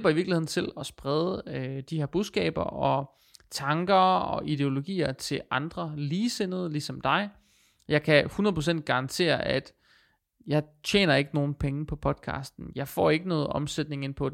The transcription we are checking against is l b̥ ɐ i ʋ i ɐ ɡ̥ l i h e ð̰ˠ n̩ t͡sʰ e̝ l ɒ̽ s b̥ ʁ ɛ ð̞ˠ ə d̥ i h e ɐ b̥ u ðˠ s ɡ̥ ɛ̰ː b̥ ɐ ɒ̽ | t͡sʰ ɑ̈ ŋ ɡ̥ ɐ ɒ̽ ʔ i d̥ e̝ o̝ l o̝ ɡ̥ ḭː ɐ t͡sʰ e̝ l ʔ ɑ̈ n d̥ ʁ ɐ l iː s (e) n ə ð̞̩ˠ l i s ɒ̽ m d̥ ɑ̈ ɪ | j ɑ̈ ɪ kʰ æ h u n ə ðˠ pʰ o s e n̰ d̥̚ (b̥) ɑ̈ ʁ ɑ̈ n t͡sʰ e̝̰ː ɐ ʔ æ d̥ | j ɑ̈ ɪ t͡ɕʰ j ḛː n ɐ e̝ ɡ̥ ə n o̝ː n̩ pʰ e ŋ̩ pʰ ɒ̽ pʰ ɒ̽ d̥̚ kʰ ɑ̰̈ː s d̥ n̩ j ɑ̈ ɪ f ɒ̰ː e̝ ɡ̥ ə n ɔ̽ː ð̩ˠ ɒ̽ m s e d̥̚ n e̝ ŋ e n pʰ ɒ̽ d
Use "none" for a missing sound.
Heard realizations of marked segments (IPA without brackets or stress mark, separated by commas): e, ɡ̥